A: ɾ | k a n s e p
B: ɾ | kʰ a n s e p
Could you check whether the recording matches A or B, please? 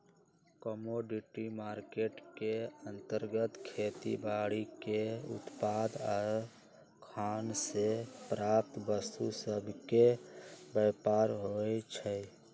B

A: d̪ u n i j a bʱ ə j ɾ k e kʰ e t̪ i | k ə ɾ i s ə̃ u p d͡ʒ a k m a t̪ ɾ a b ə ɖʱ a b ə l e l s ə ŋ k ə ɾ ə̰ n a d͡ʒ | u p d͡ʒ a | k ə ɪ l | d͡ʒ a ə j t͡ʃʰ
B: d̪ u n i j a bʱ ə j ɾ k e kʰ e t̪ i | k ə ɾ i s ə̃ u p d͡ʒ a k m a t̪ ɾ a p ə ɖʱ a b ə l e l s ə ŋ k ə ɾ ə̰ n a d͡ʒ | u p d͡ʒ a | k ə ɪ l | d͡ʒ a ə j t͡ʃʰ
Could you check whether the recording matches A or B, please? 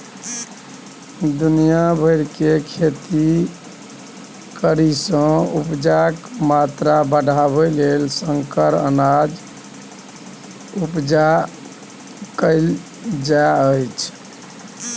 A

